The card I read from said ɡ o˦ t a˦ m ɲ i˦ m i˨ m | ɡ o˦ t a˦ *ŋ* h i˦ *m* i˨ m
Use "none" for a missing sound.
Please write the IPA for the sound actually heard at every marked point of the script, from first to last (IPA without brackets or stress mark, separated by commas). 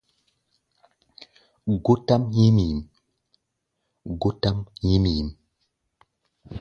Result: m, m